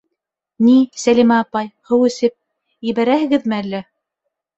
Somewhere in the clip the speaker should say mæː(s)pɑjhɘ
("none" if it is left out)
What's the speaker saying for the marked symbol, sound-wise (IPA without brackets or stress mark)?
none